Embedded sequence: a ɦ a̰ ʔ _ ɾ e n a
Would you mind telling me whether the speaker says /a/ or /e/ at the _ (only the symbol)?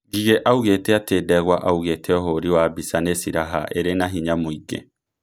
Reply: e